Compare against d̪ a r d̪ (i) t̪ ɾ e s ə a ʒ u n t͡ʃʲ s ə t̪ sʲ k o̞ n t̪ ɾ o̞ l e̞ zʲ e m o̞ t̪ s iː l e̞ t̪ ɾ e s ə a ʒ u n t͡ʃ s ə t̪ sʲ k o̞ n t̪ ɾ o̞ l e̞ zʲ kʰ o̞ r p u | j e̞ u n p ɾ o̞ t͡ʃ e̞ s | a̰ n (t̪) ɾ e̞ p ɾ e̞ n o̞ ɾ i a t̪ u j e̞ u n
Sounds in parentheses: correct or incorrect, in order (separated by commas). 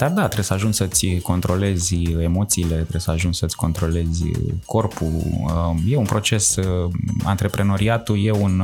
incorrect, correct